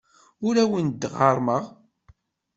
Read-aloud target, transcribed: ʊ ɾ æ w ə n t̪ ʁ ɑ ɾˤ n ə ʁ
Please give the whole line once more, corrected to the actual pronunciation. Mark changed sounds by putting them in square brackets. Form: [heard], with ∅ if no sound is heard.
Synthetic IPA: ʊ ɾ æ w ə n [d̪] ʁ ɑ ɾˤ [m] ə ʁ